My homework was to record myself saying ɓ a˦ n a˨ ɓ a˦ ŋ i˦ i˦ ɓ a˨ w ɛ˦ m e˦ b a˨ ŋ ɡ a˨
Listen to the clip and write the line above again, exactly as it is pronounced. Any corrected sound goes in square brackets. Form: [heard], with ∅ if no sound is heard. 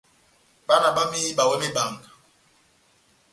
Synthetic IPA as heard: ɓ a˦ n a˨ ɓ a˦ [m] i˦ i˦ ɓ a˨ w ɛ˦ m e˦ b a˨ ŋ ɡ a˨

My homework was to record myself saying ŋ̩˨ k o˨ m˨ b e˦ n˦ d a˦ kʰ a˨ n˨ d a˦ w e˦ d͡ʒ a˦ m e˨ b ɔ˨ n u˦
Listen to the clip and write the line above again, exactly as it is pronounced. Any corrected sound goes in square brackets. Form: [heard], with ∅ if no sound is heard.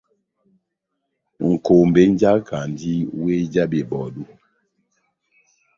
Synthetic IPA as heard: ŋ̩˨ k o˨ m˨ b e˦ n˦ [d͡ʒ] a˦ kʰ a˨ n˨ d [i˦] w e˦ d͡ʒ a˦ [b] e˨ b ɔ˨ [d] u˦

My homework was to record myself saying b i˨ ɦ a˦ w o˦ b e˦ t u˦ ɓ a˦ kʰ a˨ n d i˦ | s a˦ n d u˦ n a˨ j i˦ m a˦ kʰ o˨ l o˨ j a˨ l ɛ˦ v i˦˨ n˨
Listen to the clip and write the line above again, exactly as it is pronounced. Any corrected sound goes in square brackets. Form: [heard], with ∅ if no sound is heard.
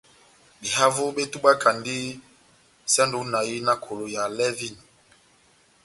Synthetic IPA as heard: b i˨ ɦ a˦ [v] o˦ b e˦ t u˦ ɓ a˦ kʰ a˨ n d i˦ | s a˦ n d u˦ n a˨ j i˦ [n] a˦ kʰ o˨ l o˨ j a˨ l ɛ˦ v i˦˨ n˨

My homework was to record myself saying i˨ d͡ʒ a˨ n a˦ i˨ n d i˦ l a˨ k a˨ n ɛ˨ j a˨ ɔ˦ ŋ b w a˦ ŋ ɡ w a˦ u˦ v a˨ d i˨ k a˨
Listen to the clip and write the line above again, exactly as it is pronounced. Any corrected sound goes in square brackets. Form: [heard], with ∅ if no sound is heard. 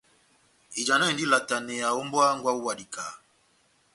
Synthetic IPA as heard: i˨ d͡ʒ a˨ n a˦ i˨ n d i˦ l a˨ [t] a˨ n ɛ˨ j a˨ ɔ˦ [m] b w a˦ ŋ ɡ w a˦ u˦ [w] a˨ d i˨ k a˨

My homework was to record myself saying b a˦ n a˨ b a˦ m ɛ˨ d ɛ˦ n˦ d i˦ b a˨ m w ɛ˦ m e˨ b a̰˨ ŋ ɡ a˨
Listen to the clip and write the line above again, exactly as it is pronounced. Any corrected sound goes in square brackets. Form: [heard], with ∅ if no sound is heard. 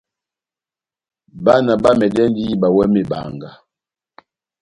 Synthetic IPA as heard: b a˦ n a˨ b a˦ m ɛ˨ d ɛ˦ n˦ d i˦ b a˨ [∅] w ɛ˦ m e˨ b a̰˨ ŋ ɡ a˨

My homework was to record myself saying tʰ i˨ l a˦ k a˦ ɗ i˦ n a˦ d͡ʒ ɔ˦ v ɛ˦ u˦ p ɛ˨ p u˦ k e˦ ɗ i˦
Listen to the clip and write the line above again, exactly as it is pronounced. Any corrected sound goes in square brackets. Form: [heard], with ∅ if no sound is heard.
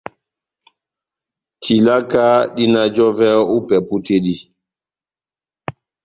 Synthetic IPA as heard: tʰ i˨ l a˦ k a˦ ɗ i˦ n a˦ d͡ʒ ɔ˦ v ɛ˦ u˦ p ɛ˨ p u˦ [t] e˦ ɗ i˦

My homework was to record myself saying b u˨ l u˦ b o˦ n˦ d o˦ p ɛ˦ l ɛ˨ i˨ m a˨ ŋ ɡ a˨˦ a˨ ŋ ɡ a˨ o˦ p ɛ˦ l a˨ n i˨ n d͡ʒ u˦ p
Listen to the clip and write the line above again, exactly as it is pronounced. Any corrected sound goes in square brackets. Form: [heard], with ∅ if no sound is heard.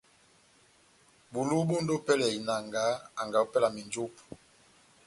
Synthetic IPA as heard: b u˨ l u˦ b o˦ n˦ d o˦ p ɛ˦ l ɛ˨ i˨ [n] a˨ ŋ ɡ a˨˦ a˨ ŋ ɡ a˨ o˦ p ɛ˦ l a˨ [m] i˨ n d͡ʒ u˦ p

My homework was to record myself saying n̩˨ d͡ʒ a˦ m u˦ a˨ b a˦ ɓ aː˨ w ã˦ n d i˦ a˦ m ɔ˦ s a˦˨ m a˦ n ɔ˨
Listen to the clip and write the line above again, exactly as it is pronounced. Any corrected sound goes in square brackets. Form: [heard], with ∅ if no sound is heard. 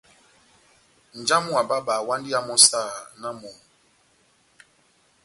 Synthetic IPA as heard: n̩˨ d͡ʒ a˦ m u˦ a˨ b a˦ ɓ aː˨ w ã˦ n d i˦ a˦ m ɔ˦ s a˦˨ [n] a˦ [m] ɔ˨

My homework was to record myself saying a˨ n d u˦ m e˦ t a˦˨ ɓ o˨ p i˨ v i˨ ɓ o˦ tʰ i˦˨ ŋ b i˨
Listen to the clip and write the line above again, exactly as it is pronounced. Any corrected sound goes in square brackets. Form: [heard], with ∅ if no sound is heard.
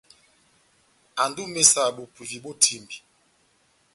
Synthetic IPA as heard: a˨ n d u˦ m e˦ [s] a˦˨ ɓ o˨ p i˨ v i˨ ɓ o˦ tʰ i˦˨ [m] b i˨

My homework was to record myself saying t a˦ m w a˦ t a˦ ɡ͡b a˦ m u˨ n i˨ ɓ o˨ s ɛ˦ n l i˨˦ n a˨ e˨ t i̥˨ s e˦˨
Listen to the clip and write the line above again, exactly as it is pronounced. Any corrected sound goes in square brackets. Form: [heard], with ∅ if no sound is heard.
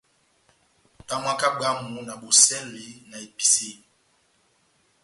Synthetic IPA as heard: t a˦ m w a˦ [k] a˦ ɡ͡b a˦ m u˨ n [a˨] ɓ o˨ s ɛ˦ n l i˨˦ n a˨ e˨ [p] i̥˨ s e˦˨

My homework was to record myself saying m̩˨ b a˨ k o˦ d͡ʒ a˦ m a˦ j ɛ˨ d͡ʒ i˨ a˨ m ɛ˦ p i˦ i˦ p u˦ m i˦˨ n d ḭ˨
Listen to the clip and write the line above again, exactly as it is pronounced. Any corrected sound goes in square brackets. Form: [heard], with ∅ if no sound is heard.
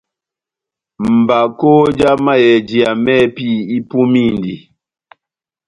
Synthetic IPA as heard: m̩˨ b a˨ k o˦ d͡ʒ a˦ m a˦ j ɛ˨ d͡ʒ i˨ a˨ m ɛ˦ p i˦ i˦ p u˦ m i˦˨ n d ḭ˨

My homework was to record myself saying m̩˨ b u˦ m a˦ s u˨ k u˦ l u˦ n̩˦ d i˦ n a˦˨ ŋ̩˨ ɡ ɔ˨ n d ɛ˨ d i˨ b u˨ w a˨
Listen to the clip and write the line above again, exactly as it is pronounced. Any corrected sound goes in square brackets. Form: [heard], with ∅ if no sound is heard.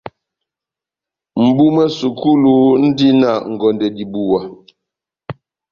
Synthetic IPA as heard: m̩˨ b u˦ m [ɛ˦] s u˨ k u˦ l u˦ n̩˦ d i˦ n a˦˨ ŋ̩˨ ɡ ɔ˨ n d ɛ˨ d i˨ b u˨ w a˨

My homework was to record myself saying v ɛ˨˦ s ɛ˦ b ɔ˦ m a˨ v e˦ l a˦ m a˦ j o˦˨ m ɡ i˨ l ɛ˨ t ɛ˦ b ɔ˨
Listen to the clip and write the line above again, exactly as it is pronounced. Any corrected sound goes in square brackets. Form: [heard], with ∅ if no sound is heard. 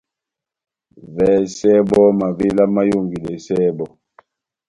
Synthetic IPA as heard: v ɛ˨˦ s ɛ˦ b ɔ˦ m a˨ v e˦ l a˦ m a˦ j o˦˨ [ŋ] ɡ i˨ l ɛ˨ [s] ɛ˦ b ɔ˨

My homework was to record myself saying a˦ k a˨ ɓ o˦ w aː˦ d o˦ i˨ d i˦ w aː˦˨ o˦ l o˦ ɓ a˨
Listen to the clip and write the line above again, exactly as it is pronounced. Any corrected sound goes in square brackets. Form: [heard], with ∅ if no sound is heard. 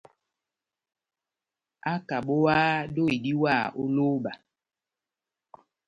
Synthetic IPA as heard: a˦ k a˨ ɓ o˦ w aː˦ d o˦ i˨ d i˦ w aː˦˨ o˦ l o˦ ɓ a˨

